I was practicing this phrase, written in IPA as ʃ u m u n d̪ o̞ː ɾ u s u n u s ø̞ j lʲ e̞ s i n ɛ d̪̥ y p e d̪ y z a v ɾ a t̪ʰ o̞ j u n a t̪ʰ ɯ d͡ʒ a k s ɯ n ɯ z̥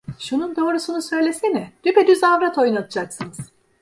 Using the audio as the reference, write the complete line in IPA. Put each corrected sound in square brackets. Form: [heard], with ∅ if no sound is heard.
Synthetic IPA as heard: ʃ u [n] u n d̪ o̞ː ɾ u s u n u s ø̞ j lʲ e̞ s i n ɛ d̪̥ y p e d̪ y z a v ɾ a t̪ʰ o̞ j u n a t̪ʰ ɯ d͡ʒ a k s ɯ n ɯ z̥